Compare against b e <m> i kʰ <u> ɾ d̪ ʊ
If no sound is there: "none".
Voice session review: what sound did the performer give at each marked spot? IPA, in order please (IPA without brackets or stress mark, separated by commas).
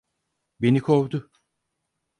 n, o